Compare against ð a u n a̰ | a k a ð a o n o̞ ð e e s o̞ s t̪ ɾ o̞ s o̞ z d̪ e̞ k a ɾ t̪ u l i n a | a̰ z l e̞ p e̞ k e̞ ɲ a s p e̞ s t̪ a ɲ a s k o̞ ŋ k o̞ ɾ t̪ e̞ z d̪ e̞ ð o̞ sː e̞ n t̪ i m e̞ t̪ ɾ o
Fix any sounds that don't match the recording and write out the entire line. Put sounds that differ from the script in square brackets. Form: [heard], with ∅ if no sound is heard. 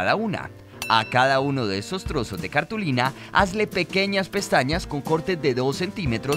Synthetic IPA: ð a u n a̰ | a k a ð a [u] n o̞ ð e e s o̞ s t̪ ɾ o̞ s o̞ z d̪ e̞ k a ɾ t̪ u l i n a | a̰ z l e̞ p e̞ k e̞ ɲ a s p e̞ s t̪ a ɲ a s k o̞ ŋ k o̞ ɾ t̪ e̞ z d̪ e̞ ð o̞ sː e̞ n t̪ i m e̞ t̪ ɾ o